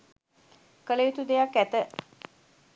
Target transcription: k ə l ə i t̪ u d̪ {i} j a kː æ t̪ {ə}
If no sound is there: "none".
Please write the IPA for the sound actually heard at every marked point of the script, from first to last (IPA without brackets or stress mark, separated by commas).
e, ə